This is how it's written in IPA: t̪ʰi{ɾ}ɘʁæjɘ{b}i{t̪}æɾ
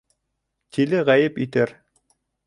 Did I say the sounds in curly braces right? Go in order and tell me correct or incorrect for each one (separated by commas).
incorrect, incorrect, correct